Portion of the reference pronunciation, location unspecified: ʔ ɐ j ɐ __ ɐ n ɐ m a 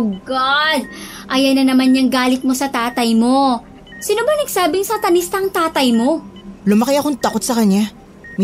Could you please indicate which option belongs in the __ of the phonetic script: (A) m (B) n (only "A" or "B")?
B